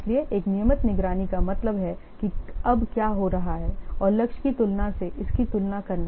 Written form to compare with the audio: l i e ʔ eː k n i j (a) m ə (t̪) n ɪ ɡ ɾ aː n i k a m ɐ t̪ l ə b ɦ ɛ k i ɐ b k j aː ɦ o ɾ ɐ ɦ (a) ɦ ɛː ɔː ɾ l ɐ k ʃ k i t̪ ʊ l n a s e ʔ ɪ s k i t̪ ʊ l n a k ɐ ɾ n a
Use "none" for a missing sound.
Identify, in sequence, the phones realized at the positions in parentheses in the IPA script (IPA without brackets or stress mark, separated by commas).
ə, t̪, a